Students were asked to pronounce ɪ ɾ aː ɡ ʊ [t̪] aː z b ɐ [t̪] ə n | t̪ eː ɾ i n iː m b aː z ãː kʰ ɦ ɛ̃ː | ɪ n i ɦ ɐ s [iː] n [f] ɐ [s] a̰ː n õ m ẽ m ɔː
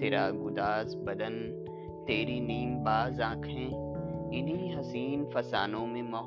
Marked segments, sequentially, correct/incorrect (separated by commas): incorrect, incorrect, correct, correct, correct